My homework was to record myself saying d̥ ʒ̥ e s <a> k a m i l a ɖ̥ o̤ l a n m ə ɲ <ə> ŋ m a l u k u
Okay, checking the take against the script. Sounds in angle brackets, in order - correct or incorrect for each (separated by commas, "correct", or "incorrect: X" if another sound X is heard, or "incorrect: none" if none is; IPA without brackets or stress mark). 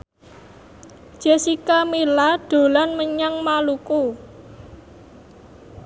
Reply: incorrect: i, incorrect: a